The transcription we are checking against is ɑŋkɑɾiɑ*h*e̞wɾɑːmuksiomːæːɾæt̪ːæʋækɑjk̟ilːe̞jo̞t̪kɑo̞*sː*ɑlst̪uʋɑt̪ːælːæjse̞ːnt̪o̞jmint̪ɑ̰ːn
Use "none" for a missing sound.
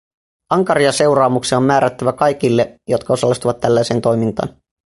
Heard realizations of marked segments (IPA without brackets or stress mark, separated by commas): s, s